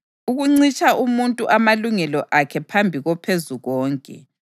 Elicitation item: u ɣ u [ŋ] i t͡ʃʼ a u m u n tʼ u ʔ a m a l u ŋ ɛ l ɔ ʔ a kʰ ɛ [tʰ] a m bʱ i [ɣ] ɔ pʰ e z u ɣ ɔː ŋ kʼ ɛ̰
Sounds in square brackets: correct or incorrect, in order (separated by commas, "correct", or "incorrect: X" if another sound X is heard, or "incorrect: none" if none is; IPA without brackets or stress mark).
incorrect: ŋ͡ǀ, incorrect: pʰ, correct